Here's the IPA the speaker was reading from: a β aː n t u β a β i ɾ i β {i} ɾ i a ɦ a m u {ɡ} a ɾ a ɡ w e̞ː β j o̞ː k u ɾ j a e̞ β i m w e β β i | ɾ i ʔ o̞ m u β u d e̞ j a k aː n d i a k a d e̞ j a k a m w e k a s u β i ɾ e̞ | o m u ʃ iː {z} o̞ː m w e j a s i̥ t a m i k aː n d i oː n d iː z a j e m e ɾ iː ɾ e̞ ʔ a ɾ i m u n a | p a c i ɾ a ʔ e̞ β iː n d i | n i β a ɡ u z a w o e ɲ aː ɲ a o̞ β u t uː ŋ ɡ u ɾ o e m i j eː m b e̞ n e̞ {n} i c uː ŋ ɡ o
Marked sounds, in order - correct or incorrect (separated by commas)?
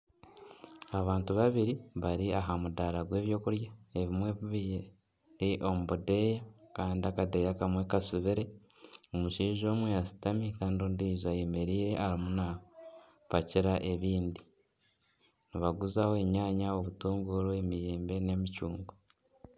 incorrect, incorrect, incorrect, incorrect